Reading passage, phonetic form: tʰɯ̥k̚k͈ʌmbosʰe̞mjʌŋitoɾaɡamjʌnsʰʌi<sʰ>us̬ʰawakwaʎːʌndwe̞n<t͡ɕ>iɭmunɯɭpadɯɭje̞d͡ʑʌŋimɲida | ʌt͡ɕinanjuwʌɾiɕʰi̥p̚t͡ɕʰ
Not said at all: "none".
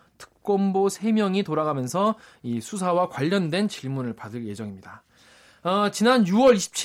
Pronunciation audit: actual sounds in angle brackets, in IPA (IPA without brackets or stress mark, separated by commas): sʰ, t͡ɕ